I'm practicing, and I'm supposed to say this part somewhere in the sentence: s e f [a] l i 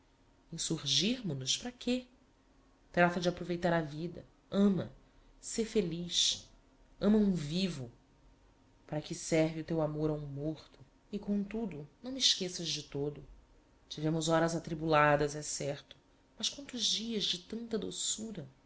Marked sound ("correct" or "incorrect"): incorrect